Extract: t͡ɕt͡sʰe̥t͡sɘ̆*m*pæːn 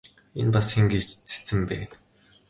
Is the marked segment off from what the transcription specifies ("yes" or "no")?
no